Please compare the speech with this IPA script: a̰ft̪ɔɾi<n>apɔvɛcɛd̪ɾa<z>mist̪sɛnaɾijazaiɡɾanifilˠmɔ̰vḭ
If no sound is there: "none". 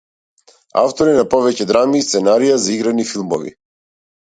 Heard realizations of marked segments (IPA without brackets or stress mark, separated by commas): n, none